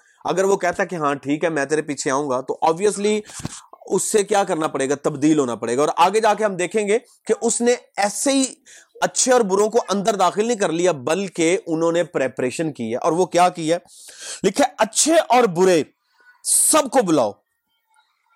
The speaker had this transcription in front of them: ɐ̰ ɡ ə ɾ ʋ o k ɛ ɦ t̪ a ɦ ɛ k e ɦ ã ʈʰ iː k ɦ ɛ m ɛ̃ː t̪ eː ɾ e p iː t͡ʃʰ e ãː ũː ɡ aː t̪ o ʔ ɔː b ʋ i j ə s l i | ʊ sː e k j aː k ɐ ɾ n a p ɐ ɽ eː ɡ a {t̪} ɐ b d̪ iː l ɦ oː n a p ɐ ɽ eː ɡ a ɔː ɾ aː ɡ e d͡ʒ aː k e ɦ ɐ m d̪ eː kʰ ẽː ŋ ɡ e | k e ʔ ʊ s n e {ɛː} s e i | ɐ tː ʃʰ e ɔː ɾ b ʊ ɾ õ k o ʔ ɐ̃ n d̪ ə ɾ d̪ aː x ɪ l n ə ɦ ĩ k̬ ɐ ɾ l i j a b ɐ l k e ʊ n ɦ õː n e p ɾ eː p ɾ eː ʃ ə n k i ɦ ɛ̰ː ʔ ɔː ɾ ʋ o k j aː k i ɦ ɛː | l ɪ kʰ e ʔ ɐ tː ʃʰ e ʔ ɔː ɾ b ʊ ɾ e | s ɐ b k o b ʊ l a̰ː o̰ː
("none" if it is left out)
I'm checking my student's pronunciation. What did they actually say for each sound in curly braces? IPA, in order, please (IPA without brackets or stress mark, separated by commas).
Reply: t̪, ɛː